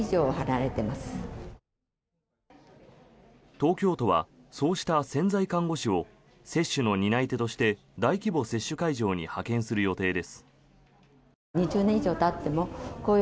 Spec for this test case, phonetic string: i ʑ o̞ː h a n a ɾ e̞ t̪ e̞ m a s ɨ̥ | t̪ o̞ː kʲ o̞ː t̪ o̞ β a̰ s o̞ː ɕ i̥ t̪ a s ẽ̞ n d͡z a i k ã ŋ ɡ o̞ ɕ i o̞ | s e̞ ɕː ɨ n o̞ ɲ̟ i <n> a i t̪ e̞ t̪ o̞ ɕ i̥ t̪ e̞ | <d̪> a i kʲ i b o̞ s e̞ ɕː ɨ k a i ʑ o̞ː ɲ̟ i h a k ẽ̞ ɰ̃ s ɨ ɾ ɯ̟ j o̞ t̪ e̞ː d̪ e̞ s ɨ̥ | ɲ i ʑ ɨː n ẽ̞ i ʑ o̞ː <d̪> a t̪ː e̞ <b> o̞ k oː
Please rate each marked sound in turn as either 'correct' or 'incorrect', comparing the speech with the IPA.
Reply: correct, correct, incorrect: t̪, incorrect: m

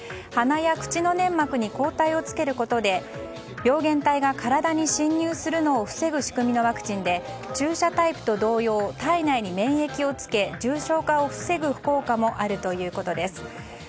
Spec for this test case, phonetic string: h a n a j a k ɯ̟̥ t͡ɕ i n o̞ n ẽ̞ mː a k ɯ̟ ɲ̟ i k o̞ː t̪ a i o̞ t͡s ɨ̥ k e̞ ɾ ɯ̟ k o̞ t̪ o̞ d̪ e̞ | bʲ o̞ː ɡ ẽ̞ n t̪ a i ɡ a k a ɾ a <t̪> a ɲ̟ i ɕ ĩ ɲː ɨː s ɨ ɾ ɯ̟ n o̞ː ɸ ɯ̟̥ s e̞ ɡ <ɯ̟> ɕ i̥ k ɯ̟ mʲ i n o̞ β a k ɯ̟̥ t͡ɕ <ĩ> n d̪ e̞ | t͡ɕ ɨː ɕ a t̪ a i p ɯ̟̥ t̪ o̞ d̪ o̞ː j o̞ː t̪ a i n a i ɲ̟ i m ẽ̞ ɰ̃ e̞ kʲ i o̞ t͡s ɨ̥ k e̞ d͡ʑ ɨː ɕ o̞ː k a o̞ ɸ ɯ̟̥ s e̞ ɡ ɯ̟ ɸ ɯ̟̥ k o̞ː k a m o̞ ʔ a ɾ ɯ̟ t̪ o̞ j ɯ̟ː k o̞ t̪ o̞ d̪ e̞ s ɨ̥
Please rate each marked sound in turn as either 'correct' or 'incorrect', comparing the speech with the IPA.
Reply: incorrect: d̪, correct, correct

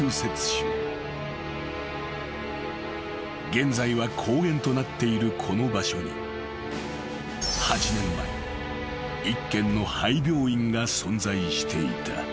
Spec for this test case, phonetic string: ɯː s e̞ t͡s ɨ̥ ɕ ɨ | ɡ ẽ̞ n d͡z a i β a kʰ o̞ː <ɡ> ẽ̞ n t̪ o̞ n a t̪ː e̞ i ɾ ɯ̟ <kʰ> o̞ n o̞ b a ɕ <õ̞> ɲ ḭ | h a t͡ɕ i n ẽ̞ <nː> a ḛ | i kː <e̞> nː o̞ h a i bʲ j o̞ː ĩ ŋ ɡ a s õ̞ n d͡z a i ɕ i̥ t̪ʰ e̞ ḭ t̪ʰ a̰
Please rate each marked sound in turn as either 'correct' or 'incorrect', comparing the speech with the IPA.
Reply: correct, correct, incorrect: o̞, incorrect: mː, incorrect: ẽ̞

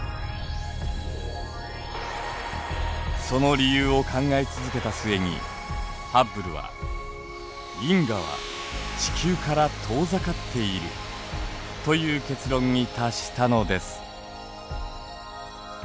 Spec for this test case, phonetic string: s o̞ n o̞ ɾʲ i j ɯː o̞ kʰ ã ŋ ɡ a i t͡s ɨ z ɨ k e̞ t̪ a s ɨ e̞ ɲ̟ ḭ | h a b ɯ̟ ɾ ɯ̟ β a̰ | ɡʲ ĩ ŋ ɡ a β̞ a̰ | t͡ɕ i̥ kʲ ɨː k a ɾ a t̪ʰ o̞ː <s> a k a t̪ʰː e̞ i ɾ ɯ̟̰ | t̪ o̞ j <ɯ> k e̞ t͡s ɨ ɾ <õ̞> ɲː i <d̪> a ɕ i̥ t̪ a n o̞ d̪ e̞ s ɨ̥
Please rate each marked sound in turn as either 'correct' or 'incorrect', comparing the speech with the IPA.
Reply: incorrect: z, incorrect: ɯː, correct, incorrect: t̪

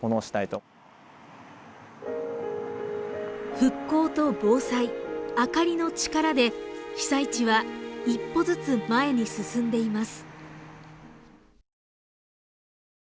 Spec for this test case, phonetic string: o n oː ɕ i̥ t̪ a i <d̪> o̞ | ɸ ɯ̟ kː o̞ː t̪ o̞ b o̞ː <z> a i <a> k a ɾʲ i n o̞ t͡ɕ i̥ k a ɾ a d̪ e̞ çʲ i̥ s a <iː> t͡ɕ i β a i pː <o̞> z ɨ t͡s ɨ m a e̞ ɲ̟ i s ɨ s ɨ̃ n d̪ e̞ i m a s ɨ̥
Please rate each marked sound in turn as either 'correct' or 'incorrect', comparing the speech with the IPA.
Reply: incorrect: t̪, incorrect: s, correct, incorrect: i, correct

